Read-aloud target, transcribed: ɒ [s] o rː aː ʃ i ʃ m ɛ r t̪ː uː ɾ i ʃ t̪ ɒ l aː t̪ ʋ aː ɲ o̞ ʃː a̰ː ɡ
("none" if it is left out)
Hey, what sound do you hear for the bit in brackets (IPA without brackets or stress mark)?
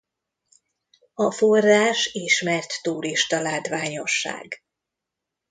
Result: f